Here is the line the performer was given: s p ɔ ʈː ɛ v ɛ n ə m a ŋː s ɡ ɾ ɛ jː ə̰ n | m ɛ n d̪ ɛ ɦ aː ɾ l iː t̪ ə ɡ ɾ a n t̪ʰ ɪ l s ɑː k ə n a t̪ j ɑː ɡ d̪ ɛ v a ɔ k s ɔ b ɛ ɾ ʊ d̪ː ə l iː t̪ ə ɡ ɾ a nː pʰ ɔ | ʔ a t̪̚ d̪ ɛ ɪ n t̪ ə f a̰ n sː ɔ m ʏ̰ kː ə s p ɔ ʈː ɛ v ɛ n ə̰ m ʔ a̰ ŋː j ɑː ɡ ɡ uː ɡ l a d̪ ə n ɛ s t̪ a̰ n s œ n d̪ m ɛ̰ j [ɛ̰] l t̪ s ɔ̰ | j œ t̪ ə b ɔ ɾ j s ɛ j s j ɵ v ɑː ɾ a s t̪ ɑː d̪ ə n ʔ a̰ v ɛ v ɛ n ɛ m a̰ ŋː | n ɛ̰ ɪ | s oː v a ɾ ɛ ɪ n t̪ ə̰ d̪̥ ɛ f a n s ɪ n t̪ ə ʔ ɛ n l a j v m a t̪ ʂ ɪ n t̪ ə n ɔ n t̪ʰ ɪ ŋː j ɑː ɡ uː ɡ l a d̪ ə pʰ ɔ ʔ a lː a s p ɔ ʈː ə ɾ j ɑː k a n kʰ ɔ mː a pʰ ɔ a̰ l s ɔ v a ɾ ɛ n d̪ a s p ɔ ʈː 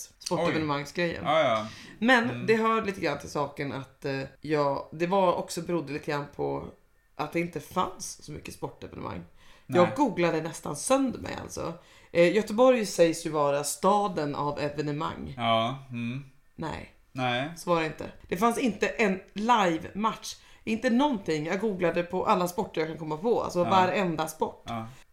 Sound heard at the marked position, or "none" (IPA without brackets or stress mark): a̰